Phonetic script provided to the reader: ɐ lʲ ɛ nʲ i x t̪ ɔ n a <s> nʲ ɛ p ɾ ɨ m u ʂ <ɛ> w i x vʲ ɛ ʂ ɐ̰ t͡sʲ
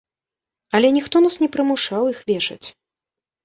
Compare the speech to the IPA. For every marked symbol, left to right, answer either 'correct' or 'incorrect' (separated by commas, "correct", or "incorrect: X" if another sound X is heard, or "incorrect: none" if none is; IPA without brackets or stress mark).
correct, incorrect: a